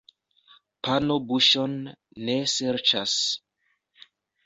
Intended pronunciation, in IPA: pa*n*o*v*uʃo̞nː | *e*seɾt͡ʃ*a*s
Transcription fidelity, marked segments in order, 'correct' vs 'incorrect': correct, incorrect: b, correct, correct

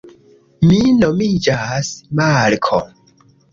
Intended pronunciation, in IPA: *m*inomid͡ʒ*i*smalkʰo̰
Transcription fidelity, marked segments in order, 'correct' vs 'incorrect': correct, incorrect: a

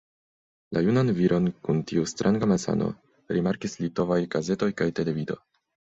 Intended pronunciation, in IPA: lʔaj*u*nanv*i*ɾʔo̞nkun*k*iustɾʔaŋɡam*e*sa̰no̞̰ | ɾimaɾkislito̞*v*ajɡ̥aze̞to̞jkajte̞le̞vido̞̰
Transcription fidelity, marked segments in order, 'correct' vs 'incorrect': correct, correct, incorrect: t, incorrect: a, correct

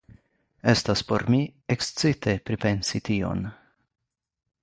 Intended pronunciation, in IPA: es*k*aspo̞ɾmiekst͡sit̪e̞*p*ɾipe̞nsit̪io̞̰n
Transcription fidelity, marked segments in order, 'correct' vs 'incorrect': incorrect: t, correct

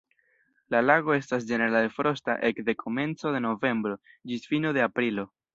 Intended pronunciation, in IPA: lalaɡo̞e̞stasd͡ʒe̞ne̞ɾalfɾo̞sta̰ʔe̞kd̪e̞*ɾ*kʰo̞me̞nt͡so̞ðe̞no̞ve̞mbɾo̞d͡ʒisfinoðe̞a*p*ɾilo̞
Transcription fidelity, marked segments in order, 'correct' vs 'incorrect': incorrect: none, correct

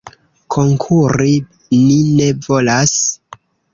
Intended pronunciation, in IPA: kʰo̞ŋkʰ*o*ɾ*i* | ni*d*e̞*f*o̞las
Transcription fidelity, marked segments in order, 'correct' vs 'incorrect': incorrect: u, correct, incorrect: n, incorrect: v

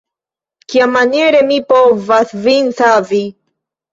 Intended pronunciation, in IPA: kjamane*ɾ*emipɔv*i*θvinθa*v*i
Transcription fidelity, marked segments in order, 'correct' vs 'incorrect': correct, incorrect: a, correct

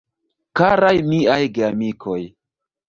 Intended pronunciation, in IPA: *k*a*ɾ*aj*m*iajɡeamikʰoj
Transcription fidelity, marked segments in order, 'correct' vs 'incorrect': correct, correct, correct

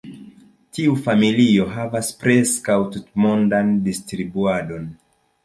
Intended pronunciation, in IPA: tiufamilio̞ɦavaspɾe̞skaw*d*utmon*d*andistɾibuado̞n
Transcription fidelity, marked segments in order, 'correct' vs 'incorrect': incorrect: t, correct

